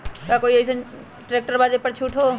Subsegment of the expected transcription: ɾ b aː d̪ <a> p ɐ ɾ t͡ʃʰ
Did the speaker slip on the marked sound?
yes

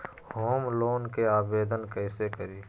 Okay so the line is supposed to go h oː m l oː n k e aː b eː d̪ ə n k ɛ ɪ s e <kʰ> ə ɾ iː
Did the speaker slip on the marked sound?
yes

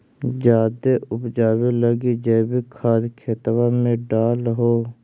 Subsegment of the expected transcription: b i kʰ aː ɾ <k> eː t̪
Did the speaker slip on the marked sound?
yes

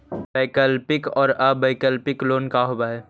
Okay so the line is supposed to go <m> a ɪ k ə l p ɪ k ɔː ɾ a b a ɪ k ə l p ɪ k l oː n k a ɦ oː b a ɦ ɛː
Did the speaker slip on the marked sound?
yes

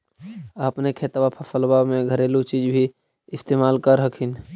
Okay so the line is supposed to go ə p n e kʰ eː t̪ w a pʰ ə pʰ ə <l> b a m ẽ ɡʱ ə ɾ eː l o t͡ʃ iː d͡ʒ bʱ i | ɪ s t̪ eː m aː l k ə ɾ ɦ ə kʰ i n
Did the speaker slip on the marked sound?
no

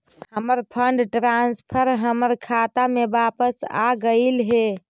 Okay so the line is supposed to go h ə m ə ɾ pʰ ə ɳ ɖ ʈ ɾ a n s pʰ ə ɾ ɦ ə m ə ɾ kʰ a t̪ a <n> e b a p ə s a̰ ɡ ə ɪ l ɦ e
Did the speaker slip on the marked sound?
yes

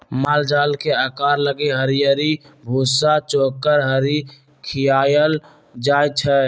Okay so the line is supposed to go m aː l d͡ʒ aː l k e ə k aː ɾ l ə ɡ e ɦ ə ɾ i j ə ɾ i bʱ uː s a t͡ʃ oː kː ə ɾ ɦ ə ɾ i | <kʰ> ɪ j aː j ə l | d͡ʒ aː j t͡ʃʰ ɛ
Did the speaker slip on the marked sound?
no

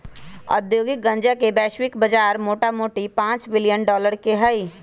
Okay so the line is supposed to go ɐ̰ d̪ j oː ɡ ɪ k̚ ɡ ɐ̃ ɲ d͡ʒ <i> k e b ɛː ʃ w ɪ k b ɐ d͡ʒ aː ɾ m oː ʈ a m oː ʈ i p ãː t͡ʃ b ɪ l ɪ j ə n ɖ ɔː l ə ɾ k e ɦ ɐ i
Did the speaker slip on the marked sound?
yes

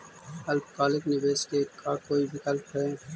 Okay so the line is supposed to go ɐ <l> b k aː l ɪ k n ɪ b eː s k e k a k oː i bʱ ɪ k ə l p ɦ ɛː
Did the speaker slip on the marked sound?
no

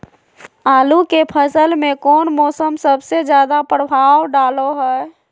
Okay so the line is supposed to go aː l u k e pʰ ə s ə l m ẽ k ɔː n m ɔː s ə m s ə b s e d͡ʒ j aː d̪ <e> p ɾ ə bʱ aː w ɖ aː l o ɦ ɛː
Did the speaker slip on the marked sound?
yes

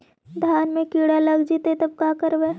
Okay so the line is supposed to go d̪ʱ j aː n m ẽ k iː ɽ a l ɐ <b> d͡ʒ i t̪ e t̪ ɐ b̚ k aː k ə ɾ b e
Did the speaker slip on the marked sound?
yes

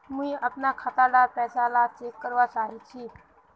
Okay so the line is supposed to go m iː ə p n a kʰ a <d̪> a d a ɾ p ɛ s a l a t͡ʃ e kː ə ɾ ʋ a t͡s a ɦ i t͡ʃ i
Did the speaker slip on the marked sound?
yes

